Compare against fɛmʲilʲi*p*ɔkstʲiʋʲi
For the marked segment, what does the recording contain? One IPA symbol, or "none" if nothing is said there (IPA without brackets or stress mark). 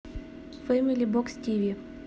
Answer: b